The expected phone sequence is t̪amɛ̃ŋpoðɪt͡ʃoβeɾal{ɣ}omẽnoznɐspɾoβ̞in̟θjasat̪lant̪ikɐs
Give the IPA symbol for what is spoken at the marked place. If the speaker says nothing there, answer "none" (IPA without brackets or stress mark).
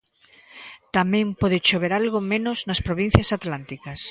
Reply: ɣ